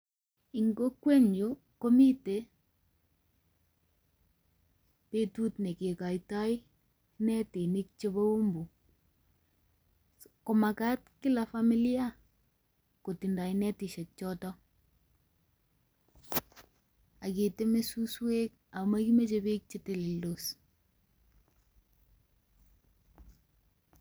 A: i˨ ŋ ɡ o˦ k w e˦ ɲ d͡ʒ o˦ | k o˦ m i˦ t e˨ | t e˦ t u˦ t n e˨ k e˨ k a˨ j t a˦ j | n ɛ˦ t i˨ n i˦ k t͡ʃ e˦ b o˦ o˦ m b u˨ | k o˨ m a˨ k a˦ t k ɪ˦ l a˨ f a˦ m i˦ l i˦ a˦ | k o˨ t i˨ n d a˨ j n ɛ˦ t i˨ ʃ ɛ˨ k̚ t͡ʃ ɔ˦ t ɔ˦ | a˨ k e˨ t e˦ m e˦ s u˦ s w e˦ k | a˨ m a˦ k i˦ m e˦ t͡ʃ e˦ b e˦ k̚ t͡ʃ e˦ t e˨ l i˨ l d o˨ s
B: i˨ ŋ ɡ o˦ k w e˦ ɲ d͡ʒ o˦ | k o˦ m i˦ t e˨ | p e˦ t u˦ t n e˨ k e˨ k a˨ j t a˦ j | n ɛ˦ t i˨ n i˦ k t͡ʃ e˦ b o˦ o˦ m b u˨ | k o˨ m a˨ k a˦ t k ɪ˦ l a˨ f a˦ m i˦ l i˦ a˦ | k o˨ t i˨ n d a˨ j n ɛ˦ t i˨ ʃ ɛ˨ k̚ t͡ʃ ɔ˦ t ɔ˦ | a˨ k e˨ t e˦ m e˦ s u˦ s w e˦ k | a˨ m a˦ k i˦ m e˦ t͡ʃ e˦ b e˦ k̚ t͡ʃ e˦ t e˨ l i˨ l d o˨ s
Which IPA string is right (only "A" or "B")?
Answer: B